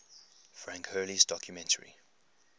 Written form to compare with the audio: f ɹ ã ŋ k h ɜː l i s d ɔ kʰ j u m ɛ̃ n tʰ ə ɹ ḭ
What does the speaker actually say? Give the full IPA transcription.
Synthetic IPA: f ɹ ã ŋ k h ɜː l i z d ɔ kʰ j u m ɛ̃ n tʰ ə ɹ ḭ